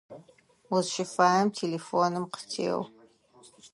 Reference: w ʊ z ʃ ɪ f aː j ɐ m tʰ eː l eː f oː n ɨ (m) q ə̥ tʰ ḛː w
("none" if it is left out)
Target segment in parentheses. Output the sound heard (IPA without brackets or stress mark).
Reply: m